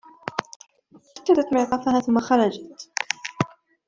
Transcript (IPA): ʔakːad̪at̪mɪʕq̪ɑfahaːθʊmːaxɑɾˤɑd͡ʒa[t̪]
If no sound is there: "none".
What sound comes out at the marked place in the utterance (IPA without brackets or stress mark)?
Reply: t̪